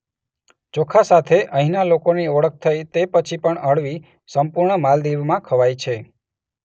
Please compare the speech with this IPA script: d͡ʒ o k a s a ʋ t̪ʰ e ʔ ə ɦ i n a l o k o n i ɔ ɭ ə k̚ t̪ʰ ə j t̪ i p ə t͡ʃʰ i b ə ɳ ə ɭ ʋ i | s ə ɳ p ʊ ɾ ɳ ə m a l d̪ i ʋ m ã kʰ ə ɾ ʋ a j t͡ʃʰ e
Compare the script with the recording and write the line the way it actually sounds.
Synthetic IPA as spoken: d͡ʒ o kʰ a s a t̪ʰ e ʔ ə ɦ i n a l o k o n i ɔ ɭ ə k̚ t̪ʰ ə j t̪ e p ə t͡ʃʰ i p ə ɳ ə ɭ ʋ i | s ə m p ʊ ɾ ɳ ə m a l d̪ i ʋ m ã kʰ ə ʋ a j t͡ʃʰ e